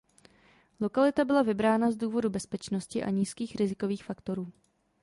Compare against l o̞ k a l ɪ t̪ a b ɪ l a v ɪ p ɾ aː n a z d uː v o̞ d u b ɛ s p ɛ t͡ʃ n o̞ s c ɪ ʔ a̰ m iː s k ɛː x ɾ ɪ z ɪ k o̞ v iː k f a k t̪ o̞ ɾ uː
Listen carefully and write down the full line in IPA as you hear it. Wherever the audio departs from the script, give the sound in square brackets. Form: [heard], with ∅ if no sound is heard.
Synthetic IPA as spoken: l o̞ k a l ɪ t̪ a b ɪ l a v ɪ [b] ɾ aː n a z d uː v o̞ d u b ɛ s p ɛ t͡ʃ n o̞ s c ɪ ʔ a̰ [ɲ] iː s k [iː] x ɾ ɪ z ɪ k o̞ v iː [x] f a k t̪ o̞ ɾ uː